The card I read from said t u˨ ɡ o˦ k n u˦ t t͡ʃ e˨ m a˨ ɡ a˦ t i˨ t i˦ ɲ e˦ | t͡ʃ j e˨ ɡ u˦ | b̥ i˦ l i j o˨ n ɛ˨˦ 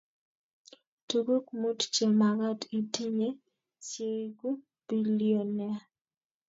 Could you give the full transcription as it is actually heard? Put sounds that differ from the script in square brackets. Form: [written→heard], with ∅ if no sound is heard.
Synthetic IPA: t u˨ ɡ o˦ k [n→m] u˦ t t͡ʃ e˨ m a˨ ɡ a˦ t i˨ t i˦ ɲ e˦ | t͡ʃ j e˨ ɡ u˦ | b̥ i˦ l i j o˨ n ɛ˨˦